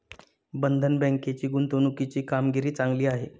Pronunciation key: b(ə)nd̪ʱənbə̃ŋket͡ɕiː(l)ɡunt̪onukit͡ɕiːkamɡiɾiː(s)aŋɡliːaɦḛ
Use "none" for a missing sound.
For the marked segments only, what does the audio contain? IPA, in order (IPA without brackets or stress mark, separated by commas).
ə, none, t͡s